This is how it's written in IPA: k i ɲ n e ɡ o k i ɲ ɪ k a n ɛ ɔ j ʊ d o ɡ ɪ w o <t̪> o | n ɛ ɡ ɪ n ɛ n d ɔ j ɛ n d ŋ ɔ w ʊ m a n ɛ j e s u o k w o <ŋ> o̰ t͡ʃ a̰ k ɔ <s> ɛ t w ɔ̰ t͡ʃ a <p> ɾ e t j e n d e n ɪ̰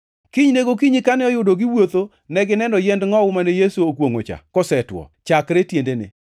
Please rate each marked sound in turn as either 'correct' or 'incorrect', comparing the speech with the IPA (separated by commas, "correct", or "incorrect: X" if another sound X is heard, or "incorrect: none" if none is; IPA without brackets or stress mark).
correct, correct, correct, incorrect: k